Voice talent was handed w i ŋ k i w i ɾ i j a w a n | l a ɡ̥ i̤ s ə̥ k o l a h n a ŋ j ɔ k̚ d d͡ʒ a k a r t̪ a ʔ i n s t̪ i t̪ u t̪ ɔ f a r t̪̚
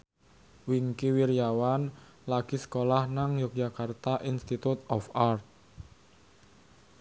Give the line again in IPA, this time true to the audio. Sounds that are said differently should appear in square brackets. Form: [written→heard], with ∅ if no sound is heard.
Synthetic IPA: w i ŋ k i w i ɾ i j a w a n | l a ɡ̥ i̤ s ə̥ k o l a h n a ŋ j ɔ k̚ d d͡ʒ a k a r t̪ a ʔ i n s t̪ i t̪ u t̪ ɔ f a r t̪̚